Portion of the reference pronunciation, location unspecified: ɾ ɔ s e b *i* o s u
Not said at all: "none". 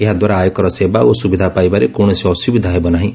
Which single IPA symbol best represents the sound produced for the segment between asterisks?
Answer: a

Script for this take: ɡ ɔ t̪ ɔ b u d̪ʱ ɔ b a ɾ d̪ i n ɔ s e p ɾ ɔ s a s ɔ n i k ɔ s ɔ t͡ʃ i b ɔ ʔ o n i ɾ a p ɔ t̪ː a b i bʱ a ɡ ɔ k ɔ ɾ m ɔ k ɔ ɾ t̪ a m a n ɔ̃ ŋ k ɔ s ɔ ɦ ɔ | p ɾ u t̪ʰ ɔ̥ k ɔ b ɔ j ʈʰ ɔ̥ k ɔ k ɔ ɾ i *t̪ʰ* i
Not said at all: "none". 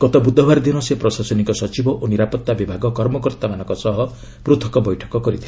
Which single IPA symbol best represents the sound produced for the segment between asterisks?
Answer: t̪ʰ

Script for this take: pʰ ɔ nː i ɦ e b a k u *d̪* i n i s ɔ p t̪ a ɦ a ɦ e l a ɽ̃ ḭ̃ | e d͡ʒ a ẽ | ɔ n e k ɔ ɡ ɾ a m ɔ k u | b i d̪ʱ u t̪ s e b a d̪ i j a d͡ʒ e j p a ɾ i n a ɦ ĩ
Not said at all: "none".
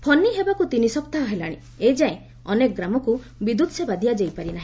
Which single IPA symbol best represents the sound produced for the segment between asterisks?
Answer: t̪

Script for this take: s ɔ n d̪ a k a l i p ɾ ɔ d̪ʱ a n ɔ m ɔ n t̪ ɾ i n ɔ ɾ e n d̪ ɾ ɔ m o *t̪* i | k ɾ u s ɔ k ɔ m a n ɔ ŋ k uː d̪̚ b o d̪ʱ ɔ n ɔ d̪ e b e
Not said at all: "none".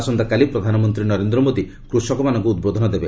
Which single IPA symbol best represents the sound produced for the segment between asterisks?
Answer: d̪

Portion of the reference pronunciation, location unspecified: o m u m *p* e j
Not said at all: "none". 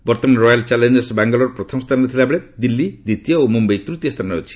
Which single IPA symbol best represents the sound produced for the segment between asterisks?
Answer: b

